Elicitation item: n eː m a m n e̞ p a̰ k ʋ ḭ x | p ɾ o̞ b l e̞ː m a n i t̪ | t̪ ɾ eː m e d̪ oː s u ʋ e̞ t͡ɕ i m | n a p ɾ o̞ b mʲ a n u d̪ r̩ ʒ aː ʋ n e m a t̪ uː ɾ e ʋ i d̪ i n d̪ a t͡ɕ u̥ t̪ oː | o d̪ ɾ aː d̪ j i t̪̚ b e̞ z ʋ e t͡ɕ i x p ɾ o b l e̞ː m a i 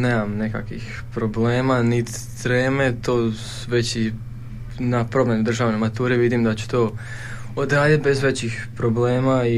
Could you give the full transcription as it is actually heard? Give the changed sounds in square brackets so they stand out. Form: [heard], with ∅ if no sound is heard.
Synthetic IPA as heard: n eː m a m n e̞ [k] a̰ k ʋ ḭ x | p ɾ o̞ b l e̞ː m a n i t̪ | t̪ ɾ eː m e [t̪] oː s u ʋ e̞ t͡ɕ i [∅] | n a p ɾ o̞ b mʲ [e] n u d̪ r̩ ʒ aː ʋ n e m a t̪ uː ɾ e ʋ i d̪ i [m] d̪ a t͡ɕ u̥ t̪ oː | o d̪ ɾ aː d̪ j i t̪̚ b e̞ z ʋ e t͡ɕ i x p ɾ o b l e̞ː m a i